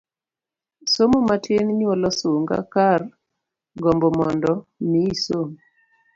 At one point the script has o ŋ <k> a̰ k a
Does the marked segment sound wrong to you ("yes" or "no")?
yes